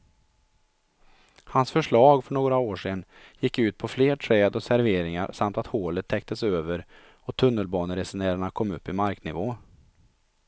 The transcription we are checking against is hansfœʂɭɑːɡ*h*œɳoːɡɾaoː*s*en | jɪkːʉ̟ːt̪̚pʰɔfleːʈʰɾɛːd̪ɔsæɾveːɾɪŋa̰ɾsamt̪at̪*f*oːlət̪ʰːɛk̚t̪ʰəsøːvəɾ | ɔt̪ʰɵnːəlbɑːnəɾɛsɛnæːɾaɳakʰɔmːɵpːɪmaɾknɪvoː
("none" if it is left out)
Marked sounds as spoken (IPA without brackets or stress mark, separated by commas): f, ʂ, h